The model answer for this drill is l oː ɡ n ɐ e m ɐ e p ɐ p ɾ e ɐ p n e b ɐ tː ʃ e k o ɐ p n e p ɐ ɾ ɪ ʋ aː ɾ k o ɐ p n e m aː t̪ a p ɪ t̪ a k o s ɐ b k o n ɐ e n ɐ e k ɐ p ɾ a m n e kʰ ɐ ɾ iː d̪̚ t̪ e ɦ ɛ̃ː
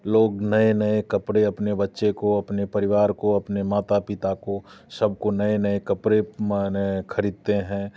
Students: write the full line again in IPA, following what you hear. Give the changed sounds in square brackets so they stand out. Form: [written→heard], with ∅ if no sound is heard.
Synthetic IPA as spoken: l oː ɡ n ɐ e [m→n] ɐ e [p→k] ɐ p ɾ e ɐ p n e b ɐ tː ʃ e k o ɐ p n e p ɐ ɾ ɪ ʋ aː ɾ k o ɐ p n e m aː t̪ a p ɪ t̪ a k o s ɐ b k o n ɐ e n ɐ e k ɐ p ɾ [a→e] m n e kʰ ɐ ɾ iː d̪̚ t̪ e ɦ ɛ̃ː